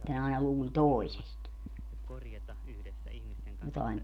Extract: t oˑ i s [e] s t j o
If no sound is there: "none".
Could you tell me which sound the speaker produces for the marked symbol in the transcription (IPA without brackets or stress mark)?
e